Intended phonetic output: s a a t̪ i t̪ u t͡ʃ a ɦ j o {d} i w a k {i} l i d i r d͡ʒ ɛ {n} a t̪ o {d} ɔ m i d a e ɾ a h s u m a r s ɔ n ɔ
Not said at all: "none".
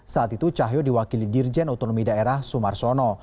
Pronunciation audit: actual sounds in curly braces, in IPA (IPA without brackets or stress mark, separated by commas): d, i, n, n